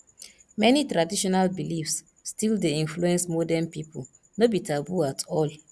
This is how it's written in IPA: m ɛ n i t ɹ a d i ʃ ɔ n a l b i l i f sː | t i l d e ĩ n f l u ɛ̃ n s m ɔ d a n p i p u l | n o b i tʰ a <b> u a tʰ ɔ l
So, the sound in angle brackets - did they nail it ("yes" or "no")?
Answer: yes